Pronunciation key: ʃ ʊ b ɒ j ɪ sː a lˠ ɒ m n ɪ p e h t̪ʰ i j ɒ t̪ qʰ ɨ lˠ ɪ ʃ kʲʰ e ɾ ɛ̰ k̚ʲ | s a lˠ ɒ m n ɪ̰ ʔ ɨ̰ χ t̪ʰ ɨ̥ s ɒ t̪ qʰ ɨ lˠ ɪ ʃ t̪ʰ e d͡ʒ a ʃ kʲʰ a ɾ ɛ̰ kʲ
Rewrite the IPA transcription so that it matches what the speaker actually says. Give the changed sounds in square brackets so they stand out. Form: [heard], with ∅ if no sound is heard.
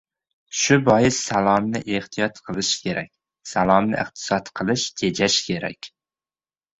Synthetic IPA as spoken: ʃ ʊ b ɒ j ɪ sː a lˠ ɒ m n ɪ [ʔ] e h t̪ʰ i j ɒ t̪ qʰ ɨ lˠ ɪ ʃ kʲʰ e ɾ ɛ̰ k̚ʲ | s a lˠ ɒ m n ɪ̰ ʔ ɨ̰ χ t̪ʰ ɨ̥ s ɒ t̪ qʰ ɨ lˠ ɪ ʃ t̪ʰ e d͡ʒ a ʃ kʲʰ [e] ɾ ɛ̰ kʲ